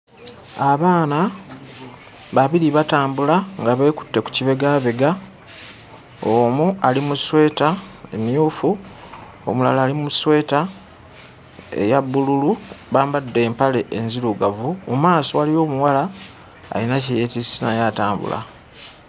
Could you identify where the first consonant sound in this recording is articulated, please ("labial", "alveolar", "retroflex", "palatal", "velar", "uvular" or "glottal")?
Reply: labial